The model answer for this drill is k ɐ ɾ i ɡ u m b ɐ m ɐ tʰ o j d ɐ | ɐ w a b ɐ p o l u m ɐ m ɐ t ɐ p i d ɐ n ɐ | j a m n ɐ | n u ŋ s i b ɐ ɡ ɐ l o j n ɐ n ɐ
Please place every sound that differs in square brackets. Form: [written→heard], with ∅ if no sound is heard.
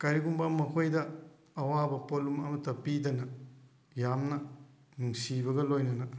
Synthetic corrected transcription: k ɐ ɾ i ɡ u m b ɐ m ɐ [tʰ→kʰ] o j d ɐ | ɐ w a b ɐ p o l u m ɐ m ɐ t ɐ p i d ɐ n ɐ | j a m n ɐ | n u ŋ s i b ɐ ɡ ɐ l o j n ɐ n ɐ